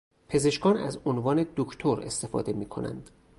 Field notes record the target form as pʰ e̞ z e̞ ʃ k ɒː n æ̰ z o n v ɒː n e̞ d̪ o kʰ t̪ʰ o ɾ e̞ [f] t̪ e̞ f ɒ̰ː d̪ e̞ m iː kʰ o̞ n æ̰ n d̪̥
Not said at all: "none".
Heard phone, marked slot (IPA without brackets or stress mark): s